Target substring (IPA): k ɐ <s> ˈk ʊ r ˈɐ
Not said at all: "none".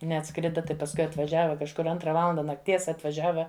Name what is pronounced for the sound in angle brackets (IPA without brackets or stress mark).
ʃ